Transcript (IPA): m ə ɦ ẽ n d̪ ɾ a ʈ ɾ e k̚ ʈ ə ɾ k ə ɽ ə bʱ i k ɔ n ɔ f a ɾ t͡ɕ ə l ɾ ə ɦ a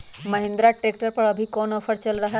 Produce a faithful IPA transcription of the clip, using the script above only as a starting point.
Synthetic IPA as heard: m ə ɦ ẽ n d̪ ɾ a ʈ ɾ e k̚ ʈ ə ɾ p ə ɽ ə bʱ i k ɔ n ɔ f ə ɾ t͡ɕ ə l ɾ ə ɦ a

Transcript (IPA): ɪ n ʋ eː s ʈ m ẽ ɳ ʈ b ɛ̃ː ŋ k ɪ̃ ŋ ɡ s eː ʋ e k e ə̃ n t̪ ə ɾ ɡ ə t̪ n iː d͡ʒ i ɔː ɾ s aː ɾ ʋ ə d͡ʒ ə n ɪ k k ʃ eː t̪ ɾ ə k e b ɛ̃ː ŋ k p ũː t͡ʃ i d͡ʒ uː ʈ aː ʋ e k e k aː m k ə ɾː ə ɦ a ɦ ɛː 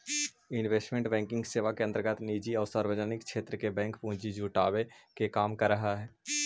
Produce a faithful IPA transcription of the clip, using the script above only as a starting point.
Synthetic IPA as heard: ɪ n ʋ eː s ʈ m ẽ ɳ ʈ b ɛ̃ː ŋ k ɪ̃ ŋ ɡ s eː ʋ a k e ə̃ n t̪ ə ɾ ɡ ə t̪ n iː d͡ʒ i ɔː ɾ s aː ɾ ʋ ə d͡ʒ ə n ɪ k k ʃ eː t̪ ɾ ə k e b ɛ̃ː ŋ k p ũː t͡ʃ i d͡ʒ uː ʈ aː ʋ e k e k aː m k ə ɾː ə ɦ a ɦ ɛː

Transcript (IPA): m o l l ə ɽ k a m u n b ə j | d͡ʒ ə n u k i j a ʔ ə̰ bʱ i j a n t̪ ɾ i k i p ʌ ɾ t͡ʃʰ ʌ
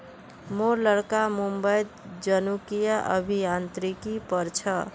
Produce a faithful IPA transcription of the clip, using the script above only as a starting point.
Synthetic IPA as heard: m o ɾ l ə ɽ k a m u m b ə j | d͡ʒ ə n u k i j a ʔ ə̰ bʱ i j a n t̪ ɾ i k i p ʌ ɾ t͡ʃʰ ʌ

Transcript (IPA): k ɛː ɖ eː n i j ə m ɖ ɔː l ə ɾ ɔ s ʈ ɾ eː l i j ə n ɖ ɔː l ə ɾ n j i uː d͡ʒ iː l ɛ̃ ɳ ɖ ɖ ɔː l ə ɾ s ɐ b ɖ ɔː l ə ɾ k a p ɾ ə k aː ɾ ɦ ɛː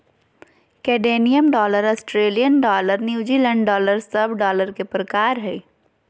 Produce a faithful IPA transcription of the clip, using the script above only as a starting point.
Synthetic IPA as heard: k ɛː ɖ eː n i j ə m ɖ ɔː l ə ɾ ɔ s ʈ ɾ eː l i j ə n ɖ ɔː l ə ɾ n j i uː d͡ʒ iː l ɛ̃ ɳ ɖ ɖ ɔː l ə ɾ s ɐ b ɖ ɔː l ə ɾ k e p ɾ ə k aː ɾ ɦ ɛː

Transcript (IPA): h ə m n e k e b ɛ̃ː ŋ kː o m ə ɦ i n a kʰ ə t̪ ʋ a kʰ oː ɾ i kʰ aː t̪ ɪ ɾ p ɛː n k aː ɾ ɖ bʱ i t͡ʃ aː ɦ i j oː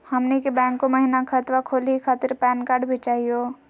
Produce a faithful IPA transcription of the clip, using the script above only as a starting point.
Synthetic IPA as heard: h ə m n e k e b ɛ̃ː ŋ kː o m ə ɦ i n a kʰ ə t̪ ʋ a kʰ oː l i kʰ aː t̪ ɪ ɾ p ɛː n k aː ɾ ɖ bʱ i t͡ʃ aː ɦ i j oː

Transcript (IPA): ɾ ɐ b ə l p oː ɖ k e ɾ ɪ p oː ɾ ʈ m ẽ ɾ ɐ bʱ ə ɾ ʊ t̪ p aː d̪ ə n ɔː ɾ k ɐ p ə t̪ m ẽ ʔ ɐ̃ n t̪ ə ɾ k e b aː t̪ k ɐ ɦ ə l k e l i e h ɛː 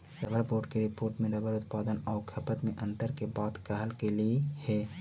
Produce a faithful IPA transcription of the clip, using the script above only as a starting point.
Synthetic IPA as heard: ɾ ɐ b ə ɾ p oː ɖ k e ɾ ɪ p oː ɾ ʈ m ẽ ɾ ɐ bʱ ə ɾ ʊ t̪ p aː d̪ ə n ɔː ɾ kʰ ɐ p ə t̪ m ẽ ʔ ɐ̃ n t̪ ə ɾ k e b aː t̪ k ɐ ɦ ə l k e l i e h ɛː

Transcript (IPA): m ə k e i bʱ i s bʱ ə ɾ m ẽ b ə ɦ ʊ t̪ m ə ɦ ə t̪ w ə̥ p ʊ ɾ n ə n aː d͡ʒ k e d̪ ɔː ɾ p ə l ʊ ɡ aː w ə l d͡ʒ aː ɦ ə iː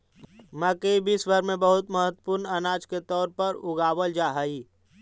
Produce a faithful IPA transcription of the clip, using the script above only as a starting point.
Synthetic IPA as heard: m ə k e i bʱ i s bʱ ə ɾ m ẽ b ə ɦ ʊ t̪ m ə ɦ ə t̪ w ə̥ p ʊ ɾ n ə n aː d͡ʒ k e t̪ ɔː ɾ p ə ɾ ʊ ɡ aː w ə l d͡ʒ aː ɦ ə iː

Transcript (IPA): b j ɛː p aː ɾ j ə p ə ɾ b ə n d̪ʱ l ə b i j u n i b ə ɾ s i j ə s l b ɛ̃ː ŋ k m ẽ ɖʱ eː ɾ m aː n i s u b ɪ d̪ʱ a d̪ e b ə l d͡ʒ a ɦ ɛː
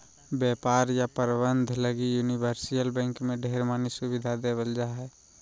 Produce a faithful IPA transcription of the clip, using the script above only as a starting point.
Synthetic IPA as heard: b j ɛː p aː ɾ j a p ə ɾ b ə n d̪ʱ l ə ɡ i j u n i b ə ɾ s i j ə l b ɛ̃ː ŋ k m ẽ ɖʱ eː ɾ m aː n i s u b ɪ d̪ʱ a d̪ e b ə l d͡ʒ a ɦ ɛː

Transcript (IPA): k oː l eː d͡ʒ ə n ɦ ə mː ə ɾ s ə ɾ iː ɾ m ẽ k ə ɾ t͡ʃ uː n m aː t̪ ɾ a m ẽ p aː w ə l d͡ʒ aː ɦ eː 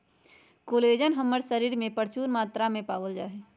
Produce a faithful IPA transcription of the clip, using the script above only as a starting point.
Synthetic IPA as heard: k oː l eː d͡ʒ ə n ɦ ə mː ə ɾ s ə ɾ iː ɾ m ẽ p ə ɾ t͡ʃ uː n m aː t̪ ɾ a m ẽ p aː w ə l d͡ʒ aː ɦ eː

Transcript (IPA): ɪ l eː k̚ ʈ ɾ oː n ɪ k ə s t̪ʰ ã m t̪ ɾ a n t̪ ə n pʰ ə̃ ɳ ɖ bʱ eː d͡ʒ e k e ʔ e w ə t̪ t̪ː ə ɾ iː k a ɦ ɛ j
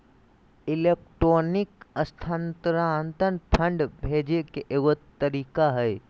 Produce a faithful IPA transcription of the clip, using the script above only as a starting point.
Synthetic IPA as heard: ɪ l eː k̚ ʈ ɾ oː n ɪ k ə s t̪ʰ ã n t̪ ɾ a n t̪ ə n pʰ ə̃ ɳ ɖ bʱ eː d͡ʒ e k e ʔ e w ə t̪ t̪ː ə ɾ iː k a ɦ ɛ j

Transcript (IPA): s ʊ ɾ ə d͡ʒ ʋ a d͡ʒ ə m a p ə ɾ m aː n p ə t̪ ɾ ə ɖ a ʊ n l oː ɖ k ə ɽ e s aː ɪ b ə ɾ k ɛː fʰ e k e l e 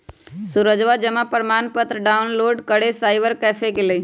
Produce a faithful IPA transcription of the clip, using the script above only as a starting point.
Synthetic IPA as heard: s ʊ ɾ ə d͡ʒ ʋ a d͡ʒ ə m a p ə ɾ m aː n p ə t̪ ɾ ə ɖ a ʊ n l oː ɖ k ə ɽ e s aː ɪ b ə ɾ k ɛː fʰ e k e l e

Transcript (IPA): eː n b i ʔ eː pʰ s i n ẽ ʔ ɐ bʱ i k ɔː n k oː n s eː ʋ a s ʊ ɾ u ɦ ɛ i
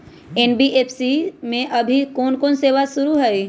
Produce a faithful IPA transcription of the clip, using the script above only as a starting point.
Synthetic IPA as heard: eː n b i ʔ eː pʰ s i m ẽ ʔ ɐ bʱ i k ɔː n k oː n s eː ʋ a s ʊ ɾ u ɦ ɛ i

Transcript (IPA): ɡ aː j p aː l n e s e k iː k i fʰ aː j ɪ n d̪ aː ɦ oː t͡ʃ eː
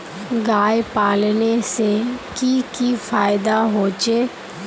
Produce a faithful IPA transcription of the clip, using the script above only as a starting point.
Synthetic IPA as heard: ɡ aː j p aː l n e s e k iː k i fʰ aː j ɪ d̪ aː ɦ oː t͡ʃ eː

